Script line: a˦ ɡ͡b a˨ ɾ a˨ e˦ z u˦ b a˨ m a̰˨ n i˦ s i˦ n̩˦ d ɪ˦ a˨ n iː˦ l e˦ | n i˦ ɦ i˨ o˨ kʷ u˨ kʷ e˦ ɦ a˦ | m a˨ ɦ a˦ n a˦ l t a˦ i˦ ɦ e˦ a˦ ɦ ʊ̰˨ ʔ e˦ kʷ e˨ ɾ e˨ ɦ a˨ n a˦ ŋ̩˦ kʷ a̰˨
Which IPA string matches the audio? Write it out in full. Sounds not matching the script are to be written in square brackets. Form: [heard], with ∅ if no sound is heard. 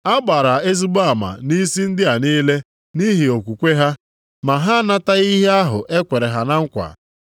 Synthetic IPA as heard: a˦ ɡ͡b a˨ ɾ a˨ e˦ z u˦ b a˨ m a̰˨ n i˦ s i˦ n̩˦ d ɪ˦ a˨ n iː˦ l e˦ | n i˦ ɦ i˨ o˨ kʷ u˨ kʷ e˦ ɦ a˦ | m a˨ ɦ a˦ n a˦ [∅] t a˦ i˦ ɦ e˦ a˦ ɦ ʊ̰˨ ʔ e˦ kʷ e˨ ɾ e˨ ɦ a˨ n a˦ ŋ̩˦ kʷ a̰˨